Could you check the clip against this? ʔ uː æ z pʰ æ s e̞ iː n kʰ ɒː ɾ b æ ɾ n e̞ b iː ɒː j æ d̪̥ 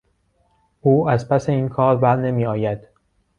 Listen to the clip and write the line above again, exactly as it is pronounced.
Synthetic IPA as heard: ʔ uː æ z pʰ æ s e̞ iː n kʰ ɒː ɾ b æ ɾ n e̞ m iː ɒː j æ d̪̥